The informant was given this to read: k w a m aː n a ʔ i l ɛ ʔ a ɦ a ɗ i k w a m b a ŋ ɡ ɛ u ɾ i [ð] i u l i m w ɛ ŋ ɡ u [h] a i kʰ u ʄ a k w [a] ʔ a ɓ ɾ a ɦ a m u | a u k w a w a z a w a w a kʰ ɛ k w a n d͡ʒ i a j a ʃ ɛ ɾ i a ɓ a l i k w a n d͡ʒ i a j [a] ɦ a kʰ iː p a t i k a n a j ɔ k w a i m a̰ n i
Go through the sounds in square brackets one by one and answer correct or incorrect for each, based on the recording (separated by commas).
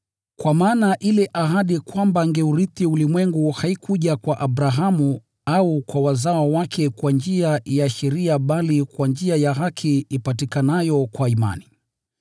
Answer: incorrect, correct, correct, correct